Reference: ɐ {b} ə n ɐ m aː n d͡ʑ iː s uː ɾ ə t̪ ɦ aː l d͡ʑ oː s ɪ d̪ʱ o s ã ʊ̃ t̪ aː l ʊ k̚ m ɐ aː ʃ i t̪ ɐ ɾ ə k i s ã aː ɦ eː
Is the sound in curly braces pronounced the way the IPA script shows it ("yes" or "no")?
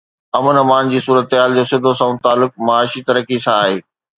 no